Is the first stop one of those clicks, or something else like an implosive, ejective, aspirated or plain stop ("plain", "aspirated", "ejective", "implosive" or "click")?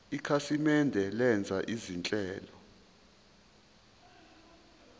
aspirated